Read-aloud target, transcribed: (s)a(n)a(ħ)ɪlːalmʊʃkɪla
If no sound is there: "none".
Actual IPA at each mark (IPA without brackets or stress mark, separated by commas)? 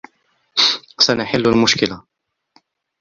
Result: s, n, ħ